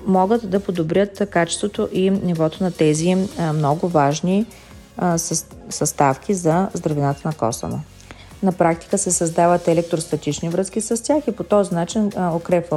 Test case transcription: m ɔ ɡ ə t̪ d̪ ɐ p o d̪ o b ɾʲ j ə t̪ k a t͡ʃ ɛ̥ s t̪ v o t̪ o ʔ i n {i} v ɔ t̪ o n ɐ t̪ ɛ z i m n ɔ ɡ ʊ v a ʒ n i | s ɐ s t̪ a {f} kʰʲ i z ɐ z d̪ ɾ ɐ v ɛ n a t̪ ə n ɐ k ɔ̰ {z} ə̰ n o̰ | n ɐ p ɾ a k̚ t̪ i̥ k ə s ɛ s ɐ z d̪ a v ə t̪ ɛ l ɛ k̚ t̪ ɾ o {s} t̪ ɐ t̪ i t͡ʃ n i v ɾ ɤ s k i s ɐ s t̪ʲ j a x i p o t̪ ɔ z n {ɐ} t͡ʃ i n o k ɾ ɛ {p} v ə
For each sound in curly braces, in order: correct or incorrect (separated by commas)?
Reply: correct, correct, incorrect, correct, incorrect, correct